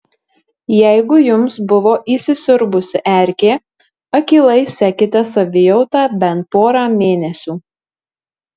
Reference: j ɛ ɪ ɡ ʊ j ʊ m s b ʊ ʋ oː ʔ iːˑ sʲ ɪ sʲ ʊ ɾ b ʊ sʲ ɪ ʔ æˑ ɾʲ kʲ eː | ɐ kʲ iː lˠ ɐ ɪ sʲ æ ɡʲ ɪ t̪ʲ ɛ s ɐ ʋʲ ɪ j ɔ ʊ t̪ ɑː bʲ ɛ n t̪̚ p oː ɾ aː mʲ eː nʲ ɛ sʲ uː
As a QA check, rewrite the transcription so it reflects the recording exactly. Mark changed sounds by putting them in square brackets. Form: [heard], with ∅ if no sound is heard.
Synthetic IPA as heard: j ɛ ɪ ɡ ʊ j ʊ m s b ʊ ʋ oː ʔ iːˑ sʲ ɪ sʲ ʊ ɾ b ʊ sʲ ɪ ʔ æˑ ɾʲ kʲ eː | ɐ kʲ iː lˠ ɐ ɪ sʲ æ [kʲ] ɪ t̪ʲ ɛ s ɐ ʋʲ ɪ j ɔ ʊ t̪ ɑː bʲ ɛ n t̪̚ p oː ɾ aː mʲ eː nʲ ɛ sʲ uː